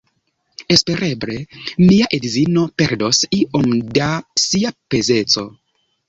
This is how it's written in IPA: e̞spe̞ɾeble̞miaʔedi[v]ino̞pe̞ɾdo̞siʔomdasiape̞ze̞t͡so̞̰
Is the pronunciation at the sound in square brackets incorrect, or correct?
incorrect